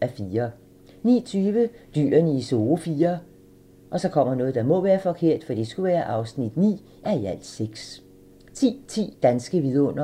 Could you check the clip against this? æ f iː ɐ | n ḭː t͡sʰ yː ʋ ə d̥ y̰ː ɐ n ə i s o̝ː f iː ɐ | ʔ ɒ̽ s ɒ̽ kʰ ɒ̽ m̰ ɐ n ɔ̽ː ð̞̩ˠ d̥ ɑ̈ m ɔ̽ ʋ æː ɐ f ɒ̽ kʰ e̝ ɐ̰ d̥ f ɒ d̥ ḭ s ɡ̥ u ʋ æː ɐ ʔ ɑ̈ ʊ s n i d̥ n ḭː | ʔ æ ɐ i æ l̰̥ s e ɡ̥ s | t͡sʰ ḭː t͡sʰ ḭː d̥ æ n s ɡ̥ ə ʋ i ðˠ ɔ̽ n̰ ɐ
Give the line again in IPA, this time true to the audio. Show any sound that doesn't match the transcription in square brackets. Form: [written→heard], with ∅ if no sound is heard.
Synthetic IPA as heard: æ f iː ɐ | n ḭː t͡sʰ yː ʋ ə d̥ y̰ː ɐ n ə i s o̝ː f iː ɐ | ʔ ɒ̽ s ɒ̽ kʰ ɒ̽ m̰ ɐ n ɔ̽ː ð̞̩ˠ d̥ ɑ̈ m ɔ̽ ʋ æː ɐ f ɒ̽ kʰ e̝ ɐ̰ d̥ f ɒ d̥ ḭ s ɡ̥ u ʋ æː ɐ ʔ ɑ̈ ʊ s n i d̥ n ḭː | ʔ æ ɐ i æ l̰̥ s e ɡ̥ s | t͡sʰ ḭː t͡sʰ ḭː d̥ æ n s ɡ̥ ə ʋ i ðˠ ɔ̽ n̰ ɐ